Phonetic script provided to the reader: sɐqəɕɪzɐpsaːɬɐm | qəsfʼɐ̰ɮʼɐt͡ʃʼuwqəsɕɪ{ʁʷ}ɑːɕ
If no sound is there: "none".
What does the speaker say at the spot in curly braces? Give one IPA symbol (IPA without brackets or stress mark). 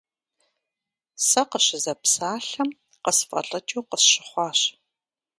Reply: χʷ